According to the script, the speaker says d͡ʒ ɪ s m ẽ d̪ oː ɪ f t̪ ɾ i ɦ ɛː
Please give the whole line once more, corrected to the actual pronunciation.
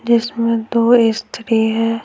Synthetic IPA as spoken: d͡ʒ ɪ s m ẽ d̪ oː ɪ s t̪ ɾ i ɦ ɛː

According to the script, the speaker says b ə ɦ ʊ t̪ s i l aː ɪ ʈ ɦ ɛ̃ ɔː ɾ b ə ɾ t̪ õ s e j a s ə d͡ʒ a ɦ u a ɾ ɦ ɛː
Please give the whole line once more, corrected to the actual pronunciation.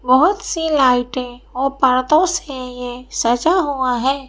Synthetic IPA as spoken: b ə ɦ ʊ t̪ s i l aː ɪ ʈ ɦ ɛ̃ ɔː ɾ p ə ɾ t̪ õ s e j e s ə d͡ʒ a ɦ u a ɦ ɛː

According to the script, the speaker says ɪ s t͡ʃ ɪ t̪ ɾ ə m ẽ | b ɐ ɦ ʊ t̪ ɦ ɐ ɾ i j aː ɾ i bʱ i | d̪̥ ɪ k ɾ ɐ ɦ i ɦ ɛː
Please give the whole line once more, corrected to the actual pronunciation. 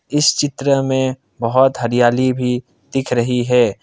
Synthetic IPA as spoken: ɪ s t͡ʃ ɪ t̪ ɾ ə m ẽ | b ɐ ɦ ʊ t̪ ɦ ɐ ɾ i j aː l i bʱ i | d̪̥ ɪ kʰ ɾ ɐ ɦ i ɦ ɛː

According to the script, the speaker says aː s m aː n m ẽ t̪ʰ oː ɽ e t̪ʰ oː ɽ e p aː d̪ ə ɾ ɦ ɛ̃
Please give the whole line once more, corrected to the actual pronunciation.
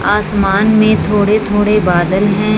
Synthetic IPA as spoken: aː s m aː n m ẽ t̪ʰ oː ɽ e t̪ʰ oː ɽ e b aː d̪ ə l ɦ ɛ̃

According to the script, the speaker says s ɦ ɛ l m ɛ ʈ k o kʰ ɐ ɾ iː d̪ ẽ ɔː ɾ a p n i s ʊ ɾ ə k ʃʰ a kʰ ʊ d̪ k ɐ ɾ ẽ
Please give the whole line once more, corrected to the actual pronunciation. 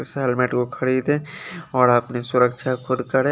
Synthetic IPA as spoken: s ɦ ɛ l m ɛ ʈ k o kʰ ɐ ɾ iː d̪ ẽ ɔː ɾ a p n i s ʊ ɾ ə k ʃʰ a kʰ ʊ d̪ k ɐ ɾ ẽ

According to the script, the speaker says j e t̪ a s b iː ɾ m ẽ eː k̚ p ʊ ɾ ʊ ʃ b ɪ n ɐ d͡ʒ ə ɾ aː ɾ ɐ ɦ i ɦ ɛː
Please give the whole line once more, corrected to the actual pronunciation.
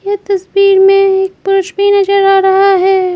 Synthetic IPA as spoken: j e t̪ ɐ s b iː ɾ m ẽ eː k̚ p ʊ ɾ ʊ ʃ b i n ɐ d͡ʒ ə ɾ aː ɾ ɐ ɦ a ɦ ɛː

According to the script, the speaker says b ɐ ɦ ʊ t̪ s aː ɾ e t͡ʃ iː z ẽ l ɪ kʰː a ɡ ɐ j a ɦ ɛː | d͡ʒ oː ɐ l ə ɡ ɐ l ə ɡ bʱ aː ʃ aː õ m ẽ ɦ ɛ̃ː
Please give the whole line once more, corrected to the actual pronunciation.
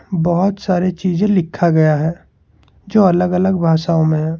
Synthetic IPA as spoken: b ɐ ɦ ʊ t̪ s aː ɾ e t͡ʃ iː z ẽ l ɪ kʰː a ɡ ɐ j a ɦ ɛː | d͡ʒ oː ɐ l ə ɡ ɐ l ə ɡ bʱ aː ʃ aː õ m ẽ ɦ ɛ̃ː

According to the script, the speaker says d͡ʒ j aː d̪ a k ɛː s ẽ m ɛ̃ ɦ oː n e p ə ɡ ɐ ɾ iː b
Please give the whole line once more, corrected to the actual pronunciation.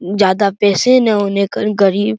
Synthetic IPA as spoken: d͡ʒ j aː d̪ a p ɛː s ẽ n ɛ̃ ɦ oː n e k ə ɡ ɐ ɾ iː b

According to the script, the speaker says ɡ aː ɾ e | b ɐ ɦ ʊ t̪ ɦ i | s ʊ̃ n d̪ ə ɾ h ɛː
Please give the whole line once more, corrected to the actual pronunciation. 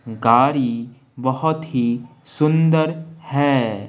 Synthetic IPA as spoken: ɡ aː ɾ i | b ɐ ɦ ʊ t̪ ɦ i | s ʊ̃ n d̪ ə ɾ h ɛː

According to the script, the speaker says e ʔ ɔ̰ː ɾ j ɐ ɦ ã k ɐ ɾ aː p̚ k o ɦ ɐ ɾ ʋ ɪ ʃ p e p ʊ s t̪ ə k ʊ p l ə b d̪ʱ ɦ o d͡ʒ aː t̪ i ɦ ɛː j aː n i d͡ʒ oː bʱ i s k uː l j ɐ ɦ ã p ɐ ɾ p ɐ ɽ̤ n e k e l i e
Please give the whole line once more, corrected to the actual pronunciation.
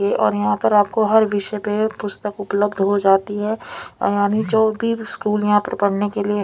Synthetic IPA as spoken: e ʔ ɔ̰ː ɾ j ɐ ɦ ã p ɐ ɾ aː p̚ k o ɦ ɐ ɾ ʋ ɪ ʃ p e p ʊ s t̪ ə k ʊ p l ə b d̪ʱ ɦ o d͡ʒ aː t̪ i ɦ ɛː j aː n i d͡ʒ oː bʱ i s k uː l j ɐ ɦ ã p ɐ ɾ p ɐ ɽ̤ n e k e l i e

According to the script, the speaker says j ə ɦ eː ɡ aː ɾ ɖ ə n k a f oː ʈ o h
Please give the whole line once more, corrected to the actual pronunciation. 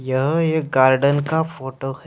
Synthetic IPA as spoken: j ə ɦ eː ɡ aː ɾ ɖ ə n k a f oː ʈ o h

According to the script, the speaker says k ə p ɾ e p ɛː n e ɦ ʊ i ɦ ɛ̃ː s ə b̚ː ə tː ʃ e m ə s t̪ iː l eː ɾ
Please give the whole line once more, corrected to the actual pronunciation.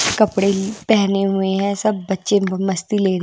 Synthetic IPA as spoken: k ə p ɽ e p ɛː n e ɦ ʊ e ɦ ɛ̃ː s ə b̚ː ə tː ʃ e m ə s t̪ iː l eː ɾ

